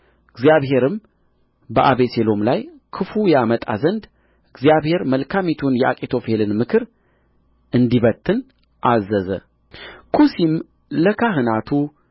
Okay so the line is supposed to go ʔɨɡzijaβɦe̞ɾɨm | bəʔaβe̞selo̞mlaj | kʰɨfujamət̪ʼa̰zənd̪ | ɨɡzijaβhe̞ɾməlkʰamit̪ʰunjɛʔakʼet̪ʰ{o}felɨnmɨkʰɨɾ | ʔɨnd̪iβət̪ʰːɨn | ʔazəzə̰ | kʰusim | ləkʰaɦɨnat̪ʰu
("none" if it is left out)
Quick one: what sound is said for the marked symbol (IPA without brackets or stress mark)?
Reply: o